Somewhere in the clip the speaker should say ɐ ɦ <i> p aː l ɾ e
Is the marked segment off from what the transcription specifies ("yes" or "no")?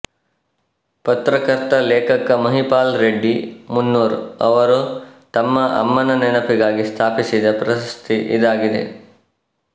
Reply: no